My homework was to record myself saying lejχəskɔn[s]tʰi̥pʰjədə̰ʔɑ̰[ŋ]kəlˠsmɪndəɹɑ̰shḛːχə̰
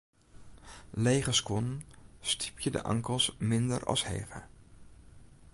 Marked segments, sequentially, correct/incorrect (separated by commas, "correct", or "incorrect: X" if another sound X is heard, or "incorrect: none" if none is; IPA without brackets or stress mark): correct, correct